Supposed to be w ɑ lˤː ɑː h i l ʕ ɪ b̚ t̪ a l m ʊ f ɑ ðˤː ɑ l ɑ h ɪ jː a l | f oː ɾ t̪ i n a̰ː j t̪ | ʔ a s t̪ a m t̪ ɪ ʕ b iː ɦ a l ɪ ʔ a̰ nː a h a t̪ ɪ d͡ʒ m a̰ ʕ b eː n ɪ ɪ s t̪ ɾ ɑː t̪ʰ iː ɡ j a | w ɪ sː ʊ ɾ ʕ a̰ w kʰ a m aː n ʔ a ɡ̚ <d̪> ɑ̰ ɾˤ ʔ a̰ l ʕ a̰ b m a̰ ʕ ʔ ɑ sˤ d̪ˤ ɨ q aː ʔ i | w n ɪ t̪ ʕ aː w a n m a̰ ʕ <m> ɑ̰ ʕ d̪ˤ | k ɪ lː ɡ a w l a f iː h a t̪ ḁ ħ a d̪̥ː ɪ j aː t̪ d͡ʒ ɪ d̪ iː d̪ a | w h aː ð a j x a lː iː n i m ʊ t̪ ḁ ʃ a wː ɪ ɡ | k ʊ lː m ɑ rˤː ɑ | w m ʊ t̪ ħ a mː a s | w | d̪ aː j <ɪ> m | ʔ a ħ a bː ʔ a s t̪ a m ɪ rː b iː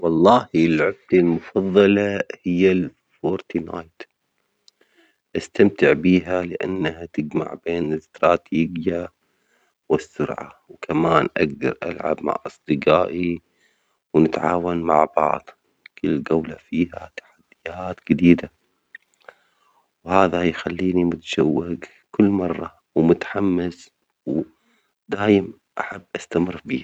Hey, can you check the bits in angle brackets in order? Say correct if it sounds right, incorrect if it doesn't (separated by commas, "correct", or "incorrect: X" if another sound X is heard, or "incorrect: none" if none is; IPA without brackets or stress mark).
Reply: correct, incorrect: b, correct